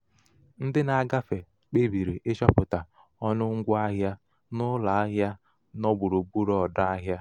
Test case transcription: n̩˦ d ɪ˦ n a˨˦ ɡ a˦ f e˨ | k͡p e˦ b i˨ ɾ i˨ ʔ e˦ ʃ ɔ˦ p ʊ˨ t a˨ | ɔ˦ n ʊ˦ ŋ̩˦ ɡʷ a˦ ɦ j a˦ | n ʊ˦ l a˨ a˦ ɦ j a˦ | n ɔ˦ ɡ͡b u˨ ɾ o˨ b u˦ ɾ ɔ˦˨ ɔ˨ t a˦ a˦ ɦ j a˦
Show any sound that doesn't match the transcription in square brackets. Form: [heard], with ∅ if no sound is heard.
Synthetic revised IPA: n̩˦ d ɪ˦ n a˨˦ ɡ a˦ f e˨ | k͡p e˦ b i˨ ɾ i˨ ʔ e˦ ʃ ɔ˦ p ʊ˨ t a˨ | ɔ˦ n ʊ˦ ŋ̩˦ ɡʷ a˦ ɦ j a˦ | n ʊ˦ l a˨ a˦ ɦ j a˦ | n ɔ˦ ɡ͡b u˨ ɾ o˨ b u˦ ɾ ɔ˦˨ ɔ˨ [d] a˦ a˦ ɦ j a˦

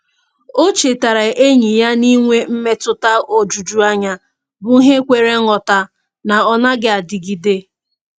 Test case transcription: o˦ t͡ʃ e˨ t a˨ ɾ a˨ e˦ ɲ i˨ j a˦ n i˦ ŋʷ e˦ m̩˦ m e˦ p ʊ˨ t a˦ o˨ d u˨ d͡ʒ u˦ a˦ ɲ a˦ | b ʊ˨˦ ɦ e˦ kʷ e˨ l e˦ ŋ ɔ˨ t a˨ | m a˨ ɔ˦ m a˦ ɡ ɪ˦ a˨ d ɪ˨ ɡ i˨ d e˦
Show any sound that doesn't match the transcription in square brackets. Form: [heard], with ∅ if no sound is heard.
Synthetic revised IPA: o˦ t͡ʃ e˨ t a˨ ɾ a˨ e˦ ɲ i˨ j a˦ n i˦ ŋʷ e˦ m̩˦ m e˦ [t] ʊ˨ t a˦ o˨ [d͡ʒ] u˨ d͡ʒ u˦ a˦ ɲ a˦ | b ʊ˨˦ ɦ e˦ kʷ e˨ [ɾ] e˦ ŋ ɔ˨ t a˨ | [n] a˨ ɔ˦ [n] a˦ ɡ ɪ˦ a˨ d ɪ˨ ɡ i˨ d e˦

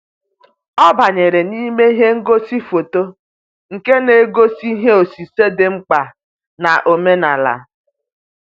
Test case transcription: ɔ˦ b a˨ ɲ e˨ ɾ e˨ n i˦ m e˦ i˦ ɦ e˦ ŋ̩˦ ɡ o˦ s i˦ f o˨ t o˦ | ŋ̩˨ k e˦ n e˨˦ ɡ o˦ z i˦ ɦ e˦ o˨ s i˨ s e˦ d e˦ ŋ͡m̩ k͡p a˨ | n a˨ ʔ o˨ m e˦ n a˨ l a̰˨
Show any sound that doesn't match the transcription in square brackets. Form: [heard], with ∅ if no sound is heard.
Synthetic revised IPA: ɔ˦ b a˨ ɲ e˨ ɾ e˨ n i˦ m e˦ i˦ ɦ e˦ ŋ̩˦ ɡ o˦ s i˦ f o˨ t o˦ | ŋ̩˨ k e˦ n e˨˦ ɡ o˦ [s] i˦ ɦ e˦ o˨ s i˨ s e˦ d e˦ ŋ͡m̩ k͡p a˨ | n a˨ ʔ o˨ m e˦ n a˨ l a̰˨

